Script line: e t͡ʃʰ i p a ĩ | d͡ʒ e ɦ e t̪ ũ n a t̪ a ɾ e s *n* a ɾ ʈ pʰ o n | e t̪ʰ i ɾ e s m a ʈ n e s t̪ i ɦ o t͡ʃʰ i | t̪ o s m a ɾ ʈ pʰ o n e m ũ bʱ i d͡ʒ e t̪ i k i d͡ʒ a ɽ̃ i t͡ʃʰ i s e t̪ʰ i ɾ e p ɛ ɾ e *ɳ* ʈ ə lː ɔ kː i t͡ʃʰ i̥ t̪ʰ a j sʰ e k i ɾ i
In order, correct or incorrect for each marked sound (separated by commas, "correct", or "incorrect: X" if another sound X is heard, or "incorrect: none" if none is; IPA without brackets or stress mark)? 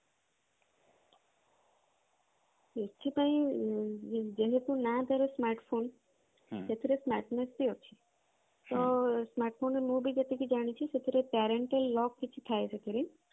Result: incorrect: m, correct